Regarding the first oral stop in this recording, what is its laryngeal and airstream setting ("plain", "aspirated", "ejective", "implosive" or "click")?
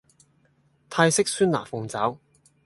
aspirated